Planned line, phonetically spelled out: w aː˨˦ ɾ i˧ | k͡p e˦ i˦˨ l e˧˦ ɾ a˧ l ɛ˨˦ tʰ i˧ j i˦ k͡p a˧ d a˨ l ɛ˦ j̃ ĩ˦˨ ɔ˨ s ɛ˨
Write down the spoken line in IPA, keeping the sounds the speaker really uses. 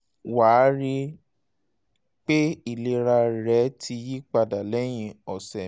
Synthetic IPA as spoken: w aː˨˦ ɾ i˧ | k͡p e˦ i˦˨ l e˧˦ ɾ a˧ ɾ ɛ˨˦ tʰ i˧ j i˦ k͡p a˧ d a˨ l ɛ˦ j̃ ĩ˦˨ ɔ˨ s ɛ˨